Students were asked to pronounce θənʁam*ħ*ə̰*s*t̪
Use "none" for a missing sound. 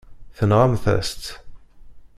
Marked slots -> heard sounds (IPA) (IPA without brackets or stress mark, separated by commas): θ, s